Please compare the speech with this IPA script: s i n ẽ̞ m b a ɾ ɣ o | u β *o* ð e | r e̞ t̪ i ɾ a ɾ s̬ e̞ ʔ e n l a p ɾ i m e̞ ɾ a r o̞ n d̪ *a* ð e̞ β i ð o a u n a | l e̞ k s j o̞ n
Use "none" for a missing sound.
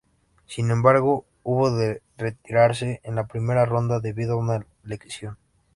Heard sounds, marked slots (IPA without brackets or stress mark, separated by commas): o, a